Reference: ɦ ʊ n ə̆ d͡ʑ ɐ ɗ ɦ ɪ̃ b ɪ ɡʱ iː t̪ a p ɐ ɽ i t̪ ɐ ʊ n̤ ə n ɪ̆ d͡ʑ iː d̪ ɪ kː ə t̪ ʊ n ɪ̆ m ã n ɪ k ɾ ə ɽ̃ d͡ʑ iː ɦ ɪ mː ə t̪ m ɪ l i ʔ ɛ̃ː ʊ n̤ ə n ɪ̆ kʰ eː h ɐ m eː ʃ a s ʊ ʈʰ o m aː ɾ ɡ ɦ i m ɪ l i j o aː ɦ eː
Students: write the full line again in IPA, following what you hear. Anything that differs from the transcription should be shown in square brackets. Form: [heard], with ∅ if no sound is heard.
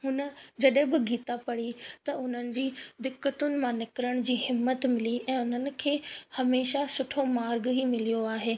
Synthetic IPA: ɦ ʊ n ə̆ d͡ʑ ɐ ɗ ɦ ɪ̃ b ɪ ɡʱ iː t̪ a p ɐ ɽ i t̪ ɐ ʊ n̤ ə n ɪ̆ d͡ʑ iː d̪ ɪ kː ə t̪ ʊ n ɪ̆ m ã n ɪ k ɾ ə ɽ̃ d͡ʑ iː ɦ ɪ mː ə t̪ m ɪ l i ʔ ɛ̃ː ʊ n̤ ə n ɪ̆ kʰ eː h ɐ m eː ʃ a s ʊ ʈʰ o m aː ɾ ɡ ɦ i m ɪ l i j o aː ɦ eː